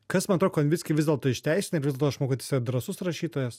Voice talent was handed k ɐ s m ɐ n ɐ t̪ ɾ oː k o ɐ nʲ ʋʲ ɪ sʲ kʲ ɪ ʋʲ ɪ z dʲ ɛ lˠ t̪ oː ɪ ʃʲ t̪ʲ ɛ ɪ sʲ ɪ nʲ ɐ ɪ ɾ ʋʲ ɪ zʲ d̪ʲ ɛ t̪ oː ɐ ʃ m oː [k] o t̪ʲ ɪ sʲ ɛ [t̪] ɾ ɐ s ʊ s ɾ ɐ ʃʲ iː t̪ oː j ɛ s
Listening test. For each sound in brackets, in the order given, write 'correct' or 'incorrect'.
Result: correct, incorrect

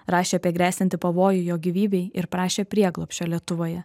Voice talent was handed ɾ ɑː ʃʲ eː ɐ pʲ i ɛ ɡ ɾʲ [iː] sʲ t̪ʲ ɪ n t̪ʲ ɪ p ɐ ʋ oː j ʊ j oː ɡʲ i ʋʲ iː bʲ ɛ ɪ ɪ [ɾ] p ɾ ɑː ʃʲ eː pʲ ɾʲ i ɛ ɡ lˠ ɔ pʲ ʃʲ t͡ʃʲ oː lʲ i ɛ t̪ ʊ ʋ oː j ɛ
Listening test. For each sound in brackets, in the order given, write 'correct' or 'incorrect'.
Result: incorrect, correct

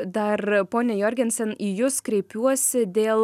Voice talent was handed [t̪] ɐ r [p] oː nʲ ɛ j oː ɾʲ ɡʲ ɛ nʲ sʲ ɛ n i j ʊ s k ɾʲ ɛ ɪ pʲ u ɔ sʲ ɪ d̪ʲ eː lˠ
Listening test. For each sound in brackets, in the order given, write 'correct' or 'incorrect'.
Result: incorrect, correct

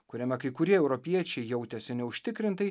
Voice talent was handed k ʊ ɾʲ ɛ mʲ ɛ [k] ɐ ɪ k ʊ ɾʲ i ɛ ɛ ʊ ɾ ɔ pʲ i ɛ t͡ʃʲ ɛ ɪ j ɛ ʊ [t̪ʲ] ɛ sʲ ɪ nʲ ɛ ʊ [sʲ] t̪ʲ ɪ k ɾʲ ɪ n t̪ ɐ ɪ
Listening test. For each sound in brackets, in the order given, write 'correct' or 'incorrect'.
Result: correct, correct, incorrect

